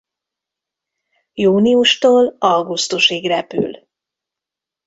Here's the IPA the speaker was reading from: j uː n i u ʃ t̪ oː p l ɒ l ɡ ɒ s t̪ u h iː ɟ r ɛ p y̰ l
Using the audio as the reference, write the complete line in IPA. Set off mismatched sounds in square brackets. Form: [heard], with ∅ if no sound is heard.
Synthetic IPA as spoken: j uː n i u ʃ t̪ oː [∅] l ɒ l ɡ [u] s t̪ u [ʃ] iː [ɡ] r ɛ p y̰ l